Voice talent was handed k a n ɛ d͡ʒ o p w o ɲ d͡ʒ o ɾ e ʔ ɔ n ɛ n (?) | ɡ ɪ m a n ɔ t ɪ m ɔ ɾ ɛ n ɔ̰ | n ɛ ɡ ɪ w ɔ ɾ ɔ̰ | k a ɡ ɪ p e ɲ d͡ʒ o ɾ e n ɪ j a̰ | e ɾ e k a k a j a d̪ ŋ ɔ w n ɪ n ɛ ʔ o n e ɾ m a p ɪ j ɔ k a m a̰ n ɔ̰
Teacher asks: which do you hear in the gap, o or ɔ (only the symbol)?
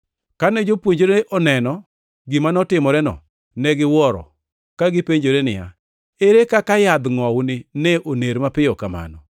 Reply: ɔ